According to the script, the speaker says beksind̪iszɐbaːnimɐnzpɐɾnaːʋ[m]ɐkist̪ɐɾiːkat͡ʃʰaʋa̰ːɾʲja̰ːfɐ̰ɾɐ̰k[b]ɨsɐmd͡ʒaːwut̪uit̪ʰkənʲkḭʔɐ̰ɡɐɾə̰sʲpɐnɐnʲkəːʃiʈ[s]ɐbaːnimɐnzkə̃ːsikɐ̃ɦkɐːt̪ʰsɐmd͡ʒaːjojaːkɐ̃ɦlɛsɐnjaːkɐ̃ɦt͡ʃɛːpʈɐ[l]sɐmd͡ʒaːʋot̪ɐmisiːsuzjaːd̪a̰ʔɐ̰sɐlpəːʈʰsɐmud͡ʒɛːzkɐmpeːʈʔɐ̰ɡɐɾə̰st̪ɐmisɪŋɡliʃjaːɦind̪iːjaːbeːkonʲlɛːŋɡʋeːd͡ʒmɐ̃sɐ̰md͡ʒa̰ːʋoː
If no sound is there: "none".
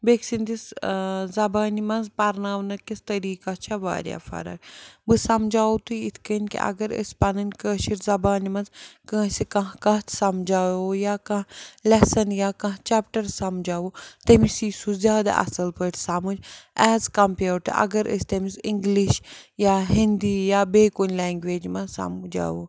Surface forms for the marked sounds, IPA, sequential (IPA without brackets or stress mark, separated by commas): n, b, z, ɾ